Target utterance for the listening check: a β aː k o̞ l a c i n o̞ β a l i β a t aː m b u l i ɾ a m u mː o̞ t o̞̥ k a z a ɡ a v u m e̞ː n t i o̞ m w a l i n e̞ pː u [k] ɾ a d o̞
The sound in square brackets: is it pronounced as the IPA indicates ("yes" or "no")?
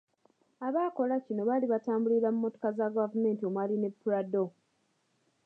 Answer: no